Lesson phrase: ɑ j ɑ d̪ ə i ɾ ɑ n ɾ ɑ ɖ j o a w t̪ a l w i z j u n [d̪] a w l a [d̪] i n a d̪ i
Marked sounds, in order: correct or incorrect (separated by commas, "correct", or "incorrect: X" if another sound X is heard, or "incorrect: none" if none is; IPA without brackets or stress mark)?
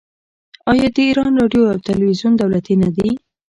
correct, incorrect: t̪